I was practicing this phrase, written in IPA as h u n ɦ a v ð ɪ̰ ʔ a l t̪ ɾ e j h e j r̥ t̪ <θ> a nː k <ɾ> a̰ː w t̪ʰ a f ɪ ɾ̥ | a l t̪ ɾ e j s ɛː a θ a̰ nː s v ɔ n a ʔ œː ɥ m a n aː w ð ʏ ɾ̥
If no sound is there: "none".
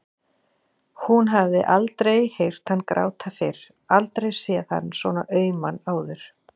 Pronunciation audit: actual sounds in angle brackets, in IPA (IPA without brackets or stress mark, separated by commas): h, ɾ